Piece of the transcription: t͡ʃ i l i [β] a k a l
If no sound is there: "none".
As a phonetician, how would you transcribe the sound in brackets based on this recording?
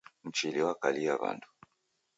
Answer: w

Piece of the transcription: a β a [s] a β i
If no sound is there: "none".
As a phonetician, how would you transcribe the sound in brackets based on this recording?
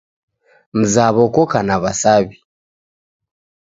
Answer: s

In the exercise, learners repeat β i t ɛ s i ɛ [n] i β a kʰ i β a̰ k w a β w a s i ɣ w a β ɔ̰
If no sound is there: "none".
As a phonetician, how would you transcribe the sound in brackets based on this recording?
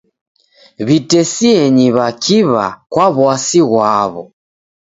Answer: ɲ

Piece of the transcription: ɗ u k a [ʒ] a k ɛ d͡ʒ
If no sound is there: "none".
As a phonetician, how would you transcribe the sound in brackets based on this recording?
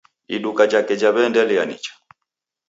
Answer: d͡ʒ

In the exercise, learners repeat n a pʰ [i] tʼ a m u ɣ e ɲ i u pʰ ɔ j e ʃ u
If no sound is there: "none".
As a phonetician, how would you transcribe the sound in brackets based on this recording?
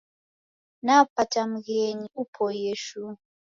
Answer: a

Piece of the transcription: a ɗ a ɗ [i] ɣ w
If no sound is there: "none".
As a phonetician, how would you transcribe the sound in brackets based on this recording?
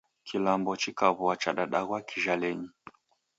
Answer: a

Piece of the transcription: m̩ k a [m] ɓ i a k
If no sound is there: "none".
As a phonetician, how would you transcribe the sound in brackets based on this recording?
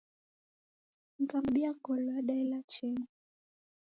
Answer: m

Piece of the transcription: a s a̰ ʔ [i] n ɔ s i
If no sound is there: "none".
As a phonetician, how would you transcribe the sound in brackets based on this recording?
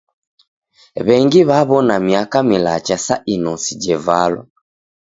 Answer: i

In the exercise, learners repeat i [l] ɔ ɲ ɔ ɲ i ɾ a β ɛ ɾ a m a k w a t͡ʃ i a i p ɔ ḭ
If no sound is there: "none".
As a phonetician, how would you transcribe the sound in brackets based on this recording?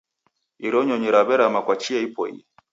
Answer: ɾ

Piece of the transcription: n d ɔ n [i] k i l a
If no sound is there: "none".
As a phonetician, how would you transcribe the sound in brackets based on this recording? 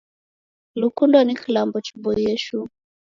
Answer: i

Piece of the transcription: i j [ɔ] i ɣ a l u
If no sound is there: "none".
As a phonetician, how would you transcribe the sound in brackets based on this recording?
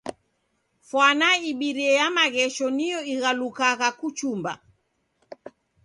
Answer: ɔ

